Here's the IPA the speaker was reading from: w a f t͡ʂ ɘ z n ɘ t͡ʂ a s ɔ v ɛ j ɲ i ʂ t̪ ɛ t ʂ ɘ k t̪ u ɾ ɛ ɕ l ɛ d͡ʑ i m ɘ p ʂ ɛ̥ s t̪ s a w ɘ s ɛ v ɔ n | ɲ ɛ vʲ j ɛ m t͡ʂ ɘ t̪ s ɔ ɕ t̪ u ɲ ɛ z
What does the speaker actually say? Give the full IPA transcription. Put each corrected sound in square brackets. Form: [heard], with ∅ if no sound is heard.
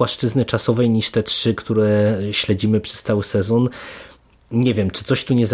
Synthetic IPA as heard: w a [ʂ] t͡ʂ ɘ z n ɘ t͡ʂ a s ɔ v ɛ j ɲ i ʂ t̪ ɛ t ʂ ɘ k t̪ u ɾ ɛ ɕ l ɛ d͡ʑ i m ɘ p ʂ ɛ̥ s t̪ s a w ɘ s ɛ [z] ɔ n | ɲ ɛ vʲ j ɛ m t͡ʂ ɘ t̪ s ɔ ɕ t̪ u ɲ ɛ z